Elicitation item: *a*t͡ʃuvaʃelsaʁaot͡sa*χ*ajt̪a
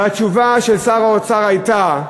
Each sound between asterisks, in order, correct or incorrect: correct, incorrect: ʁ

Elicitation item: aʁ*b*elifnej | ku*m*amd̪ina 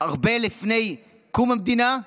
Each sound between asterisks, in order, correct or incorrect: correct, correct

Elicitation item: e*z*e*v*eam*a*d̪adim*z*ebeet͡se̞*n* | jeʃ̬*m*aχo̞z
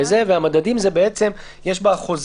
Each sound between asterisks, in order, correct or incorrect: correct, correct, correct, correct, incorrect: m, incorrect: b

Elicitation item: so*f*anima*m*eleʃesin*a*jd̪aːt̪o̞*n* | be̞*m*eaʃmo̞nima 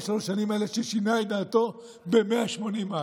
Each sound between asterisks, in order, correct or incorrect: incorrect: ʃ, incorrect: none, correct, incorrect: none, correct

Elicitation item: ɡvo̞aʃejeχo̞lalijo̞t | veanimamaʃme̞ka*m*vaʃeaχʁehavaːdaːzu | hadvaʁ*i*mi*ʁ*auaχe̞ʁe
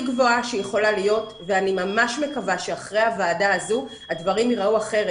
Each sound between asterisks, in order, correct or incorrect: incorrect: none, correct, correct

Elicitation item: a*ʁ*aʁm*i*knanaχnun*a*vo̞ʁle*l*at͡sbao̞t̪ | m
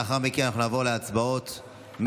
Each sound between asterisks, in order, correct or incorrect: incorrect: χ, correct, correct, incorrect: none

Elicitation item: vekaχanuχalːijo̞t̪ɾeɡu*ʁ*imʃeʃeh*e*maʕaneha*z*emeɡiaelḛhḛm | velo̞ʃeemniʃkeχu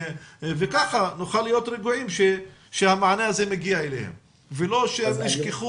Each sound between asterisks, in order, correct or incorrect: incorrect: ʕ, incorrect: a, correct

